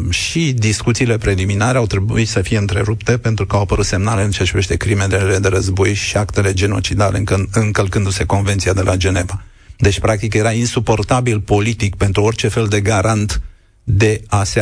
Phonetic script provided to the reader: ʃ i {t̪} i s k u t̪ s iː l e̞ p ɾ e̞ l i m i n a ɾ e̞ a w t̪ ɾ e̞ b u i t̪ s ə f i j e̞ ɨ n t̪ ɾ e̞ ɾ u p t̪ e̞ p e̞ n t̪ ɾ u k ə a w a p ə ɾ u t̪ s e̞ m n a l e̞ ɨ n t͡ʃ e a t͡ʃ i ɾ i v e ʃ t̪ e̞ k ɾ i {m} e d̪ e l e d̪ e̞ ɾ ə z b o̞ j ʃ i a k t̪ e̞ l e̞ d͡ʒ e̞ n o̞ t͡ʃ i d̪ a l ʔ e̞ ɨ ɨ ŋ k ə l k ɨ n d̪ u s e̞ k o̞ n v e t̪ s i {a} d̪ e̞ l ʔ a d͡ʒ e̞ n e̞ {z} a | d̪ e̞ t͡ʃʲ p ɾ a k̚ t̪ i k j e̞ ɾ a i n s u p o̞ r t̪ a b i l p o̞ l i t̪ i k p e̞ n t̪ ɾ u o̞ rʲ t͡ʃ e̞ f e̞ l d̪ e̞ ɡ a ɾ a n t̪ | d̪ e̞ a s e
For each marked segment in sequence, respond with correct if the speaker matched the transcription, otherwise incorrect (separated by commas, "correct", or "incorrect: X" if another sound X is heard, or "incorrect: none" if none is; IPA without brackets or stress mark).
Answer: incorrect: d̪, correct, correct, incorrect: v